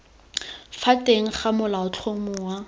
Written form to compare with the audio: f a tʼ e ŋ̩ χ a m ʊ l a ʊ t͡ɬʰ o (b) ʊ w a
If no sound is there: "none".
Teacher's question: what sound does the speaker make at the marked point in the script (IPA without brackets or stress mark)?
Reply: m